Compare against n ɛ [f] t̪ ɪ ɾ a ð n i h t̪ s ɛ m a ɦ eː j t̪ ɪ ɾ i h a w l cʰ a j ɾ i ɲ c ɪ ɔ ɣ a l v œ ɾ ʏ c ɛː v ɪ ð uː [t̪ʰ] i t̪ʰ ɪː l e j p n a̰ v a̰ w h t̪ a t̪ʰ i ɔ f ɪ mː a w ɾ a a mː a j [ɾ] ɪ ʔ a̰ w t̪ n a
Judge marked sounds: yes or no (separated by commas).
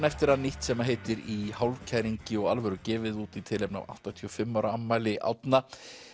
yes, no, no